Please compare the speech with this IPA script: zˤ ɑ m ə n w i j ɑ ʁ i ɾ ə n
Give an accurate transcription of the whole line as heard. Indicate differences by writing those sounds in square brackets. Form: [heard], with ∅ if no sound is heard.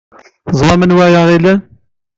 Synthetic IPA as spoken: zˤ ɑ m ə n w [æ] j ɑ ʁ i [l] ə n